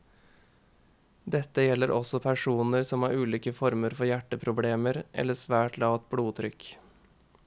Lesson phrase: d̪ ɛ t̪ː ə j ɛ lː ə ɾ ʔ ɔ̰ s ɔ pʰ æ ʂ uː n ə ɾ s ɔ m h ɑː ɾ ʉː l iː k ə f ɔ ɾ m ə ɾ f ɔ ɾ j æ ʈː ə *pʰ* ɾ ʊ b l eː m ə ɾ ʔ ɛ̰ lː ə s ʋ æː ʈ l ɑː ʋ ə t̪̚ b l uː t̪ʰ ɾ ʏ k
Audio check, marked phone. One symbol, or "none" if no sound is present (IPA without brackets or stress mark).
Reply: pʰ